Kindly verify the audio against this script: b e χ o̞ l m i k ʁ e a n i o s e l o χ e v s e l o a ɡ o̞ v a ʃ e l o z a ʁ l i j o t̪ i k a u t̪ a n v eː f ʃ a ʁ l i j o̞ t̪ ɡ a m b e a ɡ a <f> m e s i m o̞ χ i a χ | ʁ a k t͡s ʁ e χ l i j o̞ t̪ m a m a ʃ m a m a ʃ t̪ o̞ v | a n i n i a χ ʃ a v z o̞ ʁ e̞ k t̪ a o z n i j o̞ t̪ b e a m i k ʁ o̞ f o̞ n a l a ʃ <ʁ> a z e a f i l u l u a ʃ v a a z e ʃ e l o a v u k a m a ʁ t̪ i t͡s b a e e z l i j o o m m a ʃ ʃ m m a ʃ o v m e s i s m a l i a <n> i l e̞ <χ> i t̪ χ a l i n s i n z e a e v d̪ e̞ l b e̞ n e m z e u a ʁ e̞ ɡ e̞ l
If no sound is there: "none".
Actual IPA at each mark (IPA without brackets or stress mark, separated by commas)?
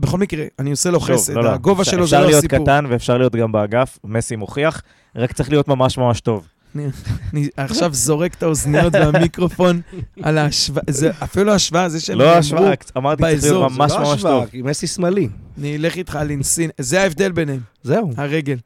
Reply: f, v, n, χ